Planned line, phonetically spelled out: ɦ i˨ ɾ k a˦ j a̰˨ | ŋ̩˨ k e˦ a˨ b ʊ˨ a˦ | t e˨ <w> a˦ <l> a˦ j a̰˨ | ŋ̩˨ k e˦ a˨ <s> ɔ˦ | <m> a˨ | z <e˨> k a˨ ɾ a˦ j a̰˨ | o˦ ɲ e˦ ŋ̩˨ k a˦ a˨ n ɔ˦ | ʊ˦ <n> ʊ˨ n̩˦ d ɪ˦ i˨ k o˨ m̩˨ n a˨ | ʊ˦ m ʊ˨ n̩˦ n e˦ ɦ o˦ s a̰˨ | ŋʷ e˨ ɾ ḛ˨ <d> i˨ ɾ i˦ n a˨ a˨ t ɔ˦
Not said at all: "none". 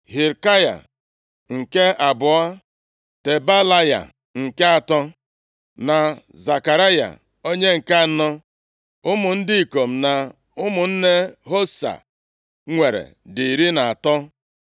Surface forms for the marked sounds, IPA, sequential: b, l, t, n, a˨, m, d

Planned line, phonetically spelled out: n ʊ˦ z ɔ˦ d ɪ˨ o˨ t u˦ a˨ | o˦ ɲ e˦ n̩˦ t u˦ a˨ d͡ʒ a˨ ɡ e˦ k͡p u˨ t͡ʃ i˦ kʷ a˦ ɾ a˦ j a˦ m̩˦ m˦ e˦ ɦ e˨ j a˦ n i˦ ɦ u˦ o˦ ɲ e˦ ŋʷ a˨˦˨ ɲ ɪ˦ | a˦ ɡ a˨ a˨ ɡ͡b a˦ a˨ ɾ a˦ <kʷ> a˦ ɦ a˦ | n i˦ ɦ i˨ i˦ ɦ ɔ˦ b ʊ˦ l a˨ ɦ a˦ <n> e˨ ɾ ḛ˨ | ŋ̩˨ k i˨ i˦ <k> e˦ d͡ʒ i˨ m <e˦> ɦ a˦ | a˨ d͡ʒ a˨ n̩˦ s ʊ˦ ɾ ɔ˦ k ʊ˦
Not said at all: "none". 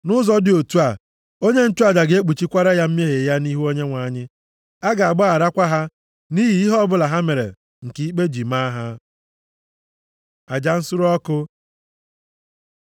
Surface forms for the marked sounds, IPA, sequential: kʷ, m, k͡p, a˦

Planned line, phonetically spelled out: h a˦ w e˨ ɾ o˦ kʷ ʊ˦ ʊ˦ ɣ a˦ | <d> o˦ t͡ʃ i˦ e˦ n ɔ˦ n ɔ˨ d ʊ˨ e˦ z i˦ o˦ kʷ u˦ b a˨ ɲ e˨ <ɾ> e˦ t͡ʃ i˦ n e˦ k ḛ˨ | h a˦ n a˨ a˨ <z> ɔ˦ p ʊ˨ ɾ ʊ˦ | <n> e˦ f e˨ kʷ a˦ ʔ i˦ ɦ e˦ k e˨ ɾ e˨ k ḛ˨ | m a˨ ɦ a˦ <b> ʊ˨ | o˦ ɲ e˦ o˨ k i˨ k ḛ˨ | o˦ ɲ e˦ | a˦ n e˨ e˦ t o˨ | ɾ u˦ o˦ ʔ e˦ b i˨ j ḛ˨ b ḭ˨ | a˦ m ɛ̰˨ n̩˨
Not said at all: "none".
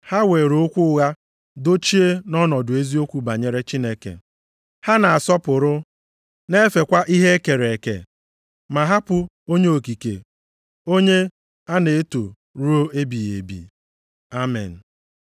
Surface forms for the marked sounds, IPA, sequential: d, ɾ, s, n, p

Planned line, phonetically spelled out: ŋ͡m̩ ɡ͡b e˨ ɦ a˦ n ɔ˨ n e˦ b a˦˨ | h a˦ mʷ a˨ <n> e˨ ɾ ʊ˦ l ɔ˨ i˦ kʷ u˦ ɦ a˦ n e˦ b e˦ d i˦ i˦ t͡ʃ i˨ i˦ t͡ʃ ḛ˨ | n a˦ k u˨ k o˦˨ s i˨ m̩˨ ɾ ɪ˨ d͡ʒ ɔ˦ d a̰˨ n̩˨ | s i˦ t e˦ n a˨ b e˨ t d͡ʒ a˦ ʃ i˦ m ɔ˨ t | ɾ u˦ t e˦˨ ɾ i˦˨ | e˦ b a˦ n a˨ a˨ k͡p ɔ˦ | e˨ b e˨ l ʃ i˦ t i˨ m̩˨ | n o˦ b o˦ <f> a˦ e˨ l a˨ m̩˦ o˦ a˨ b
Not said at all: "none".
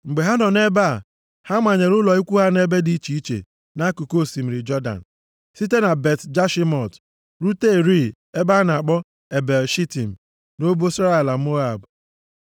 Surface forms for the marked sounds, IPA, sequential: ɲ, s

